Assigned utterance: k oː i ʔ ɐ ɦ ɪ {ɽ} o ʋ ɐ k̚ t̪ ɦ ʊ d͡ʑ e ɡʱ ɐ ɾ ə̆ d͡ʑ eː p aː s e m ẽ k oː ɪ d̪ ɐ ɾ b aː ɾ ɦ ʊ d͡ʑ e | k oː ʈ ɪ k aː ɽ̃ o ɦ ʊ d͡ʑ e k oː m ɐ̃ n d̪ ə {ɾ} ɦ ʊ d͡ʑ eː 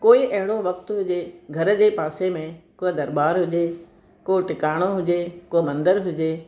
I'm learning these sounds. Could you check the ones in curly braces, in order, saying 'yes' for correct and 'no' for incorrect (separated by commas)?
yes, yes